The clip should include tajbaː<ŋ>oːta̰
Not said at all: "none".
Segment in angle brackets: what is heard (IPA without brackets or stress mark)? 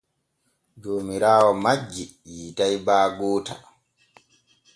ɡ